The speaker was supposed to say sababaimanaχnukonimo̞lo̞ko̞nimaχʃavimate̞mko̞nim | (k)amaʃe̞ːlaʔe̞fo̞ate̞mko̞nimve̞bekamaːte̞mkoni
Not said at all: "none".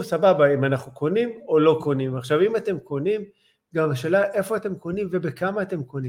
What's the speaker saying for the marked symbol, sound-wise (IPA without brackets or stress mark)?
ɡ